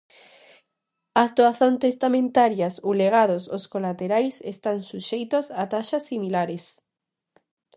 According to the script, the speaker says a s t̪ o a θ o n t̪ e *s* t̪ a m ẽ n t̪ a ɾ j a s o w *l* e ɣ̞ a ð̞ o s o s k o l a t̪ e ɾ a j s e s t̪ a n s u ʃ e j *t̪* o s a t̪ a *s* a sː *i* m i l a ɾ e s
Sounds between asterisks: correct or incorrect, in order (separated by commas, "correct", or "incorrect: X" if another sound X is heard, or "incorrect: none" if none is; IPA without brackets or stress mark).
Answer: correct, correct, correct, incorrect: ʃ, correct